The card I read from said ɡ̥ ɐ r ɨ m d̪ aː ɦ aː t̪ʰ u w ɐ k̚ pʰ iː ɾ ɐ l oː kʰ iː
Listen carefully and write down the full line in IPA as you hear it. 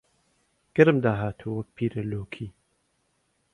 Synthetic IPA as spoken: ɡ̥ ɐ ɾ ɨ m d̪ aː ɦ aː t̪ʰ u w ɐ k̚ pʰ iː ɾ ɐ l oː kʰ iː